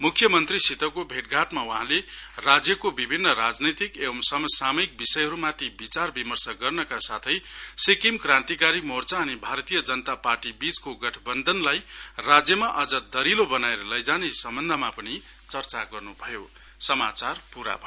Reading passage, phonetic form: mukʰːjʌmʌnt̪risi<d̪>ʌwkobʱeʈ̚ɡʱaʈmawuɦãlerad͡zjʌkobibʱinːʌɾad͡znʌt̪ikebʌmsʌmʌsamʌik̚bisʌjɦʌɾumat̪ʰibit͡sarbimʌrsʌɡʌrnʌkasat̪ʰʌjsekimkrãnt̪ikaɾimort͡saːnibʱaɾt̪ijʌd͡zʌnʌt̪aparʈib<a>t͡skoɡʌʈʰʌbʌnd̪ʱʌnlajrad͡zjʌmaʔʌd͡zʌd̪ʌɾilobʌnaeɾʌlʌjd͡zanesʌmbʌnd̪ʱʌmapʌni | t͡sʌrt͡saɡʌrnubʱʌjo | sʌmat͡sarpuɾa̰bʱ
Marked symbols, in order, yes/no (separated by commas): no, no